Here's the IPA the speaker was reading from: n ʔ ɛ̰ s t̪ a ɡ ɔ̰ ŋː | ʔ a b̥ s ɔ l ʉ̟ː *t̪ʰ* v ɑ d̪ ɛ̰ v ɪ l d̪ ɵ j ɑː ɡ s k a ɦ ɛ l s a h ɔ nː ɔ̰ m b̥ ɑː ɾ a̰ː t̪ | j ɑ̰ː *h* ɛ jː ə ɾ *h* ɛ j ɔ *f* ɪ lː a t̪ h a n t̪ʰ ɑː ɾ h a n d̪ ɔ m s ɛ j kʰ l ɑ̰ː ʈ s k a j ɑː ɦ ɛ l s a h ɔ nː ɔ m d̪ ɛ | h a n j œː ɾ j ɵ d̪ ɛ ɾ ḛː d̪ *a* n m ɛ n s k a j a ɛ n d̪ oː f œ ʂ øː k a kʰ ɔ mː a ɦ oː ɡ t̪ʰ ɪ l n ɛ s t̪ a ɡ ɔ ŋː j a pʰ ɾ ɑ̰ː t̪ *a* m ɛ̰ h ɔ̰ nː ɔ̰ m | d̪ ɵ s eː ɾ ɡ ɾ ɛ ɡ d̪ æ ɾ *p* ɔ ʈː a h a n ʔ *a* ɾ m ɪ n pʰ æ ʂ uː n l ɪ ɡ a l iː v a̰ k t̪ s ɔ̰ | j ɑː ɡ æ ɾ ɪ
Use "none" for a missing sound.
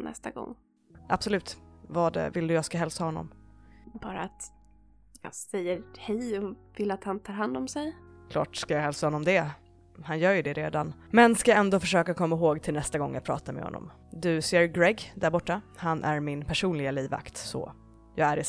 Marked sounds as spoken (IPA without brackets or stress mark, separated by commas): t̪, s, h, v, a, a, b, æ